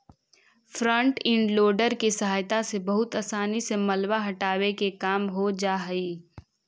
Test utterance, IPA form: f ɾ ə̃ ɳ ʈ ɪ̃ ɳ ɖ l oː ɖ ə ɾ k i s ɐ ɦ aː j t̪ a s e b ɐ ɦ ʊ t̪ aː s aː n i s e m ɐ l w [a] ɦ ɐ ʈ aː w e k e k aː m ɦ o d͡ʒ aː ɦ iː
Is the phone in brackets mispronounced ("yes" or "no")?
no